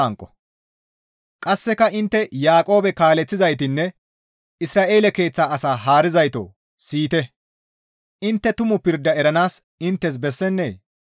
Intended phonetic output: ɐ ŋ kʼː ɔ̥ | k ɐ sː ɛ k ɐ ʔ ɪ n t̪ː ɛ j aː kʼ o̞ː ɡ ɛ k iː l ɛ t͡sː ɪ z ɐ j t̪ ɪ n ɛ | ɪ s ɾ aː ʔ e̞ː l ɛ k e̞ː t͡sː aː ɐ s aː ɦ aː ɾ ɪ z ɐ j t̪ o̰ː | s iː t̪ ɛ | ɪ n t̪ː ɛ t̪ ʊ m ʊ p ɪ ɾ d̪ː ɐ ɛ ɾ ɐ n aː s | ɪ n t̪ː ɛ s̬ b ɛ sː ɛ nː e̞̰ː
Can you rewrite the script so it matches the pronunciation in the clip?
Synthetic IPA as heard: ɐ ŋ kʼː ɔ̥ | kʼ ɐ sː ɛ k ɐ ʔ ɪ n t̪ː ɛ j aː kʼ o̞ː b ɛ k aː l ɛ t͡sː ɪ z ɐ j t̪ ɪ nː ɛ | ɪ s ɾ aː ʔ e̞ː l ɛ k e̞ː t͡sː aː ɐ s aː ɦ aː ɾ ɪ z ɐ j t̪ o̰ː | s iː t̪ ɛ | ɪ n t̪ː ɛ t̪ ʊ m ʊ p ɪ ɾ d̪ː ɐ ɛ ɾ ɐ n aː s | ɪ n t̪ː ɛ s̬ b ɛ sː ɛ nː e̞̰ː